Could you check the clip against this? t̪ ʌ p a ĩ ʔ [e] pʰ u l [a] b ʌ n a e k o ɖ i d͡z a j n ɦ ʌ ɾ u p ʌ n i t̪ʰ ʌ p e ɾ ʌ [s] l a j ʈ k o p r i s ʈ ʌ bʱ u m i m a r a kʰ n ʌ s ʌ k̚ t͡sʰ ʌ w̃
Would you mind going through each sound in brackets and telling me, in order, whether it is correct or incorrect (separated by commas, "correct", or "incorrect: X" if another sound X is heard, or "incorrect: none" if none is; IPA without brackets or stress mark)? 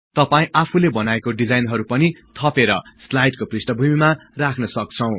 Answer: incorrect: a, incorrect: e, correct